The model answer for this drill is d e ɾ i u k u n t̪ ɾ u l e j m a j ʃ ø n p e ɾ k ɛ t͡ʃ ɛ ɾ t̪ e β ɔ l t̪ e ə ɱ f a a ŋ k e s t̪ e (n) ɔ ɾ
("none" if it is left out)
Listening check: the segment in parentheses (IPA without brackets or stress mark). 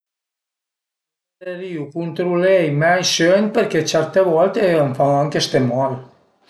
m